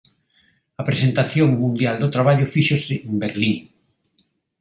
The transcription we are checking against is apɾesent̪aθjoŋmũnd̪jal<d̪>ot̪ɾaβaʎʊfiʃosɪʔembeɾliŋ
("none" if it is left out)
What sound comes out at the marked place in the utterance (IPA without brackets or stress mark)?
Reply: d̪